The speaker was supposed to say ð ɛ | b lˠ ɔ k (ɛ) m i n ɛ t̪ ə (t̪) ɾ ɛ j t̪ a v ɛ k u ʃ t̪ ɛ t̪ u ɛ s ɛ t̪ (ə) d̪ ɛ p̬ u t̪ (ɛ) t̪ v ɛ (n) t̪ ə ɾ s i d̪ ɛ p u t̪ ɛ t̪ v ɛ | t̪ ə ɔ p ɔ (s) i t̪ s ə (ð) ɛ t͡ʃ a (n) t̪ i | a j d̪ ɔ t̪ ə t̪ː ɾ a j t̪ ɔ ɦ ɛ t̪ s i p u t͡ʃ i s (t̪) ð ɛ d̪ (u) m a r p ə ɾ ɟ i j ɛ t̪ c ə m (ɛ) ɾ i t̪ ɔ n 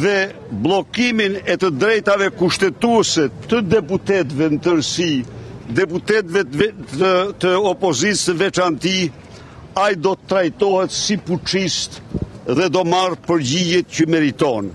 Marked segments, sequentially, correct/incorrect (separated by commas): incorrect, incorrect, correct, correct, correct, incorrect, incorrect, correct, correct, incorrect, correct